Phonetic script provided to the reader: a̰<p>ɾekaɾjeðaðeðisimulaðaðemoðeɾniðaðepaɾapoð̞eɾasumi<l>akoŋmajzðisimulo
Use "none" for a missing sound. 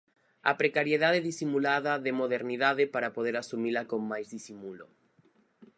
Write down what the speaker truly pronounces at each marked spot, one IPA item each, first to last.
p, l

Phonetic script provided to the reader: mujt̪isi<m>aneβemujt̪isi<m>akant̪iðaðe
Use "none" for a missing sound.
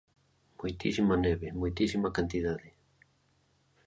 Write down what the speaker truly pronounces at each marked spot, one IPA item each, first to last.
m, m

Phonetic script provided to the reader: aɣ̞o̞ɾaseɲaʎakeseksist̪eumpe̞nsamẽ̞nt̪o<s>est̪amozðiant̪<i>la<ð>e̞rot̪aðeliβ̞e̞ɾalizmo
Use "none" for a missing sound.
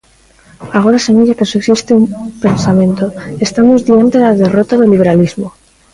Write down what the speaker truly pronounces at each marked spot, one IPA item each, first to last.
none, e, ð

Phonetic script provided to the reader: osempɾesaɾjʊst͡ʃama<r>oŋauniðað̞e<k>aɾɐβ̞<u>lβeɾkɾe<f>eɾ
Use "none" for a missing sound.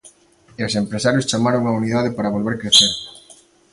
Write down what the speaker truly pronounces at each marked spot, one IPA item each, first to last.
ɾ, p, o, θ

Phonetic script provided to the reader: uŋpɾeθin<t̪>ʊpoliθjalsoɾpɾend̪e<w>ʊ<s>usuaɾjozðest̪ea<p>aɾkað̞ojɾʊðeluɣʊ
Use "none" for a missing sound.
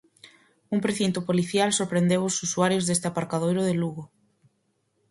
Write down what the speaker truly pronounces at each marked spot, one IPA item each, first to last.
t̪, w, s, p

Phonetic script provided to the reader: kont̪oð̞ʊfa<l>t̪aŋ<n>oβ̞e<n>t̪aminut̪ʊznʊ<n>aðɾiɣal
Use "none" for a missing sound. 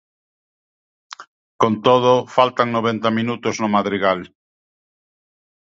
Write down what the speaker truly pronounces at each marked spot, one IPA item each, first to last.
l, n, n, m

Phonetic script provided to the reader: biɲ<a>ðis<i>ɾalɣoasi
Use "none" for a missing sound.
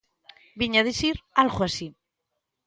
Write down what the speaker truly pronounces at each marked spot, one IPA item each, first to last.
a, i

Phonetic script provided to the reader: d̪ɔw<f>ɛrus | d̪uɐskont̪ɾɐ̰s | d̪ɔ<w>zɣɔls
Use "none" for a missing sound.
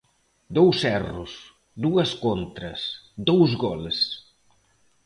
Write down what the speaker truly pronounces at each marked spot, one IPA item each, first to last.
s, w

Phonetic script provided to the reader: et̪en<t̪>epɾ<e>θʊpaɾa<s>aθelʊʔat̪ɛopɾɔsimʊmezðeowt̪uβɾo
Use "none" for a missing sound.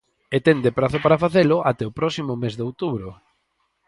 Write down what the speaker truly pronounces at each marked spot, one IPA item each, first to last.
d̪, a, f

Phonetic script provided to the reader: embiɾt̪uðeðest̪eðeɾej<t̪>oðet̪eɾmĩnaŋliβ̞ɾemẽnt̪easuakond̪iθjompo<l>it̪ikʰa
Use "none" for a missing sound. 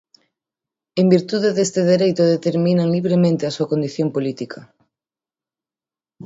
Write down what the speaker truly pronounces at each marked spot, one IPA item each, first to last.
t̪, l

